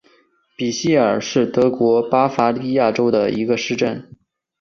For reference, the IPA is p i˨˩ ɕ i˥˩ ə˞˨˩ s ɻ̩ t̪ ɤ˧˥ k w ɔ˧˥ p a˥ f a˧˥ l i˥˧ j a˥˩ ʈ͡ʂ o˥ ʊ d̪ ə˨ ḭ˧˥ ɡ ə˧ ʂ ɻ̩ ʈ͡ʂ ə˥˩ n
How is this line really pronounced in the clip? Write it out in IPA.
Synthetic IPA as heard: p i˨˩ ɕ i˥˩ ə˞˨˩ ʂ ɻ̩ t̪ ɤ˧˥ k w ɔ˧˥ p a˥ f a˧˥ l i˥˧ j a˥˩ ʈ͡ʂ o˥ ʊ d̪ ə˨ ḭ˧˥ ɡ ə˧ ʂ ɻ̩ ʈ͡ʂ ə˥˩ n